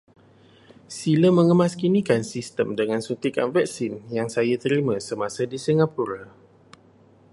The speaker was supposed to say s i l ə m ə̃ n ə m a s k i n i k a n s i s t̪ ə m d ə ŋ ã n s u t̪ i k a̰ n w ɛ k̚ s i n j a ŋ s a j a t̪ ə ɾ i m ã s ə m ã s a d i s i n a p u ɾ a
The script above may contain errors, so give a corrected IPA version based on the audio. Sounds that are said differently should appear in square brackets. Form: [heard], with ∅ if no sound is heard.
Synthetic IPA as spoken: s i l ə m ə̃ [ŋ] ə m a s k i n i k a n s i s t̪ ə m d ə ŋ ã n s u t̪ i k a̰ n [v] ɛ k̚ s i n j a ŋ s a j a t̪ ə ɾ i m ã s ə m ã s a d i s i [ŋ] a p u ɾ a